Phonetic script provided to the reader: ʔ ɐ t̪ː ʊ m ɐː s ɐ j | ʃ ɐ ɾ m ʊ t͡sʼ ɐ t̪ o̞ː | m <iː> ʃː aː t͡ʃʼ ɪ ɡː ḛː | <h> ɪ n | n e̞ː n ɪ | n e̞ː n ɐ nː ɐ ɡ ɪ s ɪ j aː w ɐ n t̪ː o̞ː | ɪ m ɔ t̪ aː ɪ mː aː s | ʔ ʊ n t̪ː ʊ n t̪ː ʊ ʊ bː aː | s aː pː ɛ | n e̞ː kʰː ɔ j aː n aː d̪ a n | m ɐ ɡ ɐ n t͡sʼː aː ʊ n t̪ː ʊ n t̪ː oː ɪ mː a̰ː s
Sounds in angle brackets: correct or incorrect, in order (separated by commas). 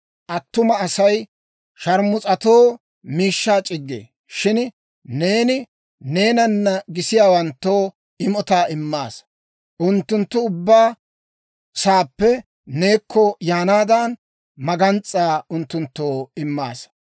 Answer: correct, incorrect